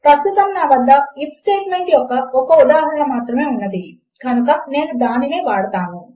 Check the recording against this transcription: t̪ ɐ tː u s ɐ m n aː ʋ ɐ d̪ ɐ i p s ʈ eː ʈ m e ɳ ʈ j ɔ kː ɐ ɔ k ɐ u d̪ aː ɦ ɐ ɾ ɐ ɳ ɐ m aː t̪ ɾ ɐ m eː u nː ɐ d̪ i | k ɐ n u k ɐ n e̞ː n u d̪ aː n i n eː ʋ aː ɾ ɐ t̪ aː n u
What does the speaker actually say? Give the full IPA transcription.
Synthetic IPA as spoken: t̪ ɐ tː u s ɐ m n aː ʋ ɐ d̪ː ɐ i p s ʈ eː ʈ m e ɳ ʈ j ɔ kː ɐ ɔ k ɐ u d̪ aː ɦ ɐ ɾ ɐ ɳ ɐ m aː t̪ ɾ ɐ m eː u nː ɐ d̪ i | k ɐ n u k ɐ n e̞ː n u d̪ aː n i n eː ʋ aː ɽ ɐ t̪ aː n u